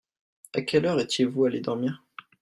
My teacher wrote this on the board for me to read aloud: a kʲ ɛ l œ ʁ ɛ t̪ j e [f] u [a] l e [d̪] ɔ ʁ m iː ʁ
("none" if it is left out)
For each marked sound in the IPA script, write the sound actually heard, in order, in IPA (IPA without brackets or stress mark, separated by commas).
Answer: v, a, d̪